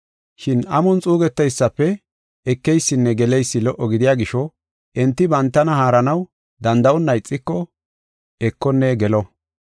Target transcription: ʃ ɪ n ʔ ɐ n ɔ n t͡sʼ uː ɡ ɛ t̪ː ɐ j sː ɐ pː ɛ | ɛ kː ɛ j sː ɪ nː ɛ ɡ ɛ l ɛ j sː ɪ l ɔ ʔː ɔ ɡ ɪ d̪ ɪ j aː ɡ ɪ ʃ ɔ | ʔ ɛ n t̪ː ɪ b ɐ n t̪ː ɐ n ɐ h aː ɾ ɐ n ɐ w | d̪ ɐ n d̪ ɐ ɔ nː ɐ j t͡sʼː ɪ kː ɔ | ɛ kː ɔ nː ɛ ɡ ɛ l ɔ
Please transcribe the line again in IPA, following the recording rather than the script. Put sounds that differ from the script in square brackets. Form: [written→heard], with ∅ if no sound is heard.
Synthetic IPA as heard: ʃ ɪ n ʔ ɐ [n→m] ɔ n t͡sʼ uː ɡ ɛ t̪ː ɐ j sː ɐ pː ɛ | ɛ kː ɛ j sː ɪ nː ɛ ɡ ɛ l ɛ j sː ɪ l ɔ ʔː ɔ ɡ ɪ d̪ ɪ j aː ɡ ɪ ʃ ɔ | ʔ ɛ n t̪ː ɪ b ɐ n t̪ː ɐ n ɐ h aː ɾ ɐ n ɐ w | d̪ ɐ n d̪ ɐ ɔ nː ɐ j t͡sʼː ɪ kː ɔ | ɛ kː ɔ nː ɛ ɡ ɛ l ɔ